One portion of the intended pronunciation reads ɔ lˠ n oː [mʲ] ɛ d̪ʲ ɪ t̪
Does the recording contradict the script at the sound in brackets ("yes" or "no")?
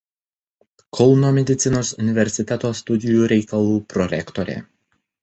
no